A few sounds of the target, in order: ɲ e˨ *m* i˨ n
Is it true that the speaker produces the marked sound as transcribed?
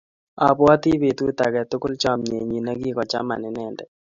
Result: no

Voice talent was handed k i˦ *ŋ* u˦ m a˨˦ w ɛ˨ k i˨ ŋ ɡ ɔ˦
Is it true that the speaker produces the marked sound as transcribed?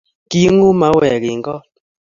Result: yes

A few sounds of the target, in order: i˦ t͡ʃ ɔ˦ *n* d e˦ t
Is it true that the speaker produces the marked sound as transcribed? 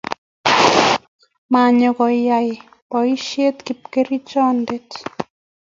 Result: yes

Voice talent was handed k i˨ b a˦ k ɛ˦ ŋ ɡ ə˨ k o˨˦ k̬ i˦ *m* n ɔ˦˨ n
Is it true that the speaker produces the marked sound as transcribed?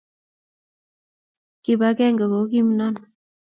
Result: yes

